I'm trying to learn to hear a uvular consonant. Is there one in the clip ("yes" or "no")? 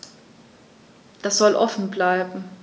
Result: no